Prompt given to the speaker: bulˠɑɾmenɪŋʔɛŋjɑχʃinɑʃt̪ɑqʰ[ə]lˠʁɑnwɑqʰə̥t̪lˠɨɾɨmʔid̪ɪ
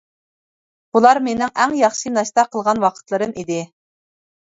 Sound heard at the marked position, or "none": ə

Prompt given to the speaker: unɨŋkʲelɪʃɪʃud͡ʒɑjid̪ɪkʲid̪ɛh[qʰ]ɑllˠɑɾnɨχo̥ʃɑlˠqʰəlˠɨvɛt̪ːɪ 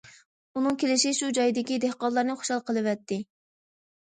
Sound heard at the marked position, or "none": q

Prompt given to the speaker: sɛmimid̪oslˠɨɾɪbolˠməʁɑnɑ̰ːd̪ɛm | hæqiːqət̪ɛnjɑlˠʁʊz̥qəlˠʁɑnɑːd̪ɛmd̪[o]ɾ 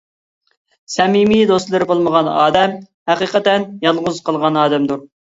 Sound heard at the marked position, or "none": u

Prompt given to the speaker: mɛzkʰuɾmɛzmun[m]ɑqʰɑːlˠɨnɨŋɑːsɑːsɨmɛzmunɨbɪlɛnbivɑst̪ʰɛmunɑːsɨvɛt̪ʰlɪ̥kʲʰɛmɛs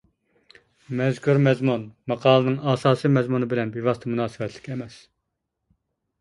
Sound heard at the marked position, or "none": m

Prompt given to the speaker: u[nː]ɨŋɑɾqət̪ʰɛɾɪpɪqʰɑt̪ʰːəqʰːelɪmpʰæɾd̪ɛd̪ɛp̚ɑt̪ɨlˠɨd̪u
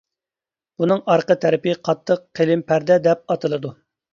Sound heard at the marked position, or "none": n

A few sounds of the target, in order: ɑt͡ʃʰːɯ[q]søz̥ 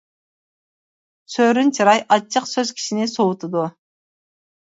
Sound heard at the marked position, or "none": q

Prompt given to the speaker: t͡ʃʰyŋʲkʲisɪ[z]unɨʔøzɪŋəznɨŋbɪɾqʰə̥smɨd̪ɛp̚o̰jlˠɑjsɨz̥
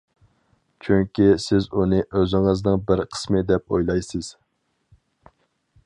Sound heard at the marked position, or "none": z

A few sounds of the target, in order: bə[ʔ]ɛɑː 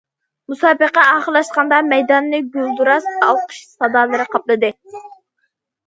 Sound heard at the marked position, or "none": q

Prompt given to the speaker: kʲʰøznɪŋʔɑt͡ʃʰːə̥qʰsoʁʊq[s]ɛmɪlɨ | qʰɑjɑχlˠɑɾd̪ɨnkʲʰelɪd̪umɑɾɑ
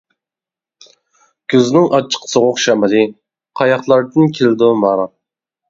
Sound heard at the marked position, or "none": ʃ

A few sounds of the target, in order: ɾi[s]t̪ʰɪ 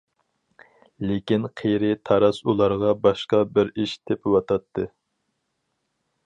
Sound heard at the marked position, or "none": ʃ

